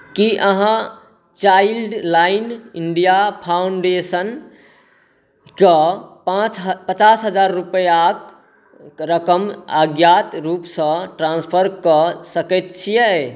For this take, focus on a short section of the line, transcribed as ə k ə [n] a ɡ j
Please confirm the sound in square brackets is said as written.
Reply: no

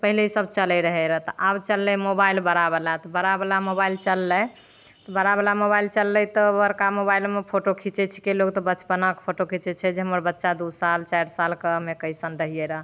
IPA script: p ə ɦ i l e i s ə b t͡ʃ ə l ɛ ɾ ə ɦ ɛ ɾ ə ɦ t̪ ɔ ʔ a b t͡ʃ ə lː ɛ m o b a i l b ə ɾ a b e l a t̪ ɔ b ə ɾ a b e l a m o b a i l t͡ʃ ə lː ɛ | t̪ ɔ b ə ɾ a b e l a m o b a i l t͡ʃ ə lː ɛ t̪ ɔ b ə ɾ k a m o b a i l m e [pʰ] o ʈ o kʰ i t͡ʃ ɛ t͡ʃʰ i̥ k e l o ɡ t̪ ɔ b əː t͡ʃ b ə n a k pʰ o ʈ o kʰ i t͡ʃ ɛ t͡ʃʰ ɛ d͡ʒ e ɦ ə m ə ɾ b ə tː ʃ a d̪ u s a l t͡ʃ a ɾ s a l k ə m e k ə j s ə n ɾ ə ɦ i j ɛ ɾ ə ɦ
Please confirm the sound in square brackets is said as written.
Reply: yes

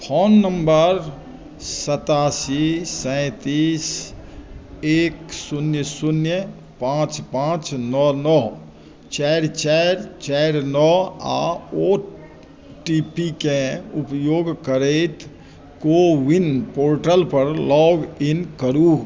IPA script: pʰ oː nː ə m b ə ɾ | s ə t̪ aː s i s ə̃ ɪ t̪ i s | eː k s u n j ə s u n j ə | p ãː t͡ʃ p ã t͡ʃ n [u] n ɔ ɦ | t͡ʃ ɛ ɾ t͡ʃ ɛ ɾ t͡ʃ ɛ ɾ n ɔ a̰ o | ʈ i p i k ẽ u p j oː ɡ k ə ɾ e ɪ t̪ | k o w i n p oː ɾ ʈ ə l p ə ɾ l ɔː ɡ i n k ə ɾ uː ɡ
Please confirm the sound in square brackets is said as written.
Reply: no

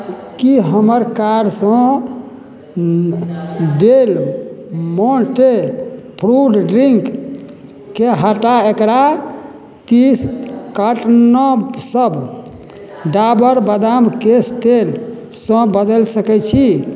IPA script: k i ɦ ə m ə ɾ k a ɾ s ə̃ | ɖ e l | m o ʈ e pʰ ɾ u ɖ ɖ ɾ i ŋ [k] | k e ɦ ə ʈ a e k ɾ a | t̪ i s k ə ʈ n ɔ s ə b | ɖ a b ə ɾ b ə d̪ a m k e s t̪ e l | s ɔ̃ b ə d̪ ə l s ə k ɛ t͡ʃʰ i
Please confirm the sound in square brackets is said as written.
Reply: yes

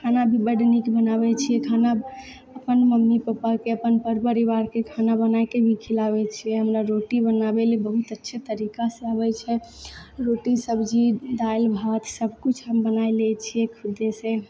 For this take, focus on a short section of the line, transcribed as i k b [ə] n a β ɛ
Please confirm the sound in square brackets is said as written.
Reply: yes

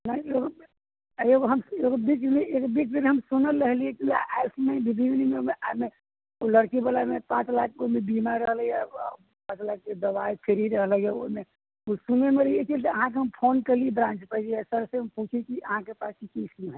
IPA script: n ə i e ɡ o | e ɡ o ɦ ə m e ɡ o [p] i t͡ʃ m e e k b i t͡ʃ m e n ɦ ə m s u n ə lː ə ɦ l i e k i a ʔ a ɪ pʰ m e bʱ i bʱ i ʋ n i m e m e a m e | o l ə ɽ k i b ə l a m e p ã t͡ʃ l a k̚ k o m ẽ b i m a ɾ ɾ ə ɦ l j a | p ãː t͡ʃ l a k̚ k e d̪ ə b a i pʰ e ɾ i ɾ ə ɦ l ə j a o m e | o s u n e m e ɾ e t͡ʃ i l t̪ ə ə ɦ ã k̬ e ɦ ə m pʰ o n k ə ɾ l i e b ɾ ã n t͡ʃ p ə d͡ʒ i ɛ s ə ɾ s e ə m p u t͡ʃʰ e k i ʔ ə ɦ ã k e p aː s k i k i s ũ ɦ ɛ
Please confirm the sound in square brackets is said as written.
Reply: no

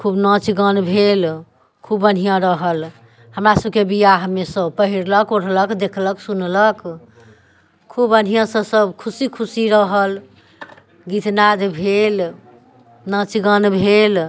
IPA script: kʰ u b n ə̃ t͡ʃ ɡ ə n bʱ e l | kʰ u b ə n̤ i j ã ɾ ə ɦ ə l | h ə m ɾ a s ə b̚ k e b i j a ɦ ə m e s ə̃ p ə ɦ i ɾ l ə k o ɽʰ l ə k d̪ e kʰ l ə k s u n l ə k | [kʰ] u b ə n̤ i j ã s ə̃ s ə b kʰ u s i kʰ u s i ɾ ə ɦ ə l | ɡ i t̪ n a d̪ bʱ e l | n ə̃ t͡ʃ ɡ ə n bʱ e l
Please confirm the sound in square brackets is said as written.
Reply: yes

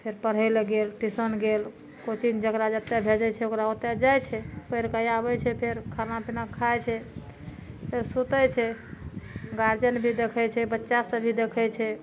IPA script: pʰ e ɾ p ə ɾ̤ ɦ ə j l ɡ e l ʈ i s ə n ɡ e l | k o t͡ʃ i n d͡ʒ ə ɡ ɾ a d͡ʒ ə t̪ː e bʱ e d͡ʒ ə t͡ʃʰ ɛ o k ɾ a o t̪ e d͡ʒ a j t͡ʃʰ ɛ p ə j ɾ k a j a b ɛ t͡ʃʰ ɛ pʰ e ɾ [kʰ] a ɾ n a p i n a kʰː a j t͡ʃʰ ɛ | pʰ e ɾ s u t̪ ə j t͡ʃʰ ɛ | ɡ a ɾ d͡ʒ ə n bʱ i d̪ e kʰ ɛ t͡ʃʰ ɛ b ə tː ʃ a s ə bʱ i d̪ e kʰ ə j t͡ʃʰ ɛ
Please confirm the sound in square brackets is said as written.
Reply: yes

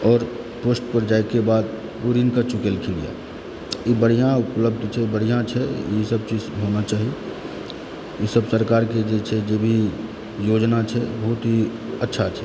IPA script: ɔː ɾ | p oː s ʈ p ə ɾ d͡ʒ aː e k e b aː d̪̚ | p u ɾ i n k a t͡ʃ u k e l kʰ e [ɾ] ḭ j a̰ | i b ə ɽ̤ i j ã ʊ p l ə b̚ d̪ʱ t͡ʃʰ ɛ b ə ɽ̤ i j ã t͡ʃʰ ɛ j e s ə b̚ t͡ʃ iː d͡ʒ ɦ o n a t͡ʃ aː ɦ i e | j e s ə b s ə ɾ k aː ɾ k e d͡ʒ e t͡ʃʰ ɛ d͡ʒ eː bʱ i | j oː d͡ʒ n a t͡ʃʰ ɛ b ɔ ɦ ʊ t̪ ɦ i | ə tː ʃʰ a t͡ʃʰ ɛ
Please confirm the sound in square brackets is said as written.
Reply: no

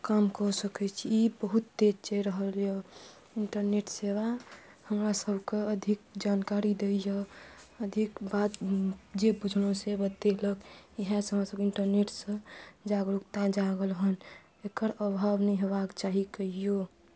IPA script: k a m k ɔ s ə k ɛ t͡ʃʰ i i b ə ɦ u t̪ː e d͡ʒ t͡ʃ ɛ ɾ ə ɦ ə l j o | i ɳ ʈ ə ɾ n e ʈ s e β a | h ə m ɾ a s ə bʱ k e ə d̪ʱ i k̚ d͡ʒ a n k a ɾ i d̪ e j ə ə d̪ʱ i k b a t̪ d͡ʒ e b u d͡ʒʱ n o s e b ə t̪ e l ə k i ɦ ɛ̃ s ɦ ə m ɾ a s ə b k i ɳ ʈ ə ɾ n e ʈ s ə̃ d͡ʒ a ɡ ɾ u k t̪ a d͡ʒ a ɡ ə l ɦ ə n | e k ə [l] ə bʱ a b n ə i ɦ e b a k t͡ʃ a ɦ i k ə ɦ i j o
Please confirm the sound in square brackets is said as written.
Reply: no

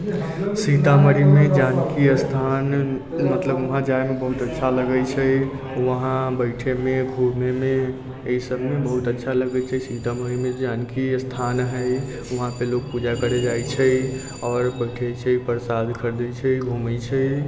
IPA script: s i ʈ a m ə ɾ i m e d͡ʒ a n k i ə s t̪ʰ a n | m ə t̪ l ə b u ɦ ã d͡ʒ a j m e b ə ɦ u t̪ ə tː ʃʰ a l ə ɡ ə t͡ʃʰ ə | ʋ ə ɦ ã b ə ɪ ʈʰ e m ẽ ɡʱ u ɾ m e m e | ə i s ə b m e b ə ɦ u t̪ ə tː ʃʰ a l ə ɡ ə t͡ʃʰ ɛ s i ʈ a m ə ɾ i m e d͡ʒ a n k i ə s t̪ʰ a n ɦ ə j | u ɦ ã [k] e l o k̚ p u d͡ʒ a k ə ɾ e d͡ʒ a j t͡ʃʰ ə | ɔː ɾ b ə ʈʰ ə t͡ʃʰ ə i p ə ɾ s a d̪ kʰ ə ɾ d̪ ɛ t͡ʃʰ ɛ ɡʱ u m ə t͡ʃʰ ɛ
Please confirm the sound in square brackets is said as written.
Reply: no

